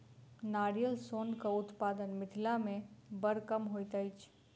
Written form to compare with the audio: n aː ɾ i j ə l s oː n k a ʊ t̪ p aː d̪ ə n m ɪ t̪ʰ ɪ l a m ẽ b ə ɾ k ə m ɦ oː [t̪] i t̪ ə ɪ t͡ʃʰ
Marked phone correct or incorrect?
incorrect